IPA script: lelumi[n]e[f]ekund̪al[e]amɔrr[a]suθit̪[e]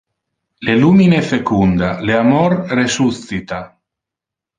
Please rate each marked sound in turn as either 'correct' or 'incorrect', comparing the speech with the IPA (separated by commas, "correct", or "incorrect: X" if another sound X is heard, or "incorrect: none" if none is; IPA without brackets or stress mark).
correct, correct, correct, incorrect: e, incorrect: a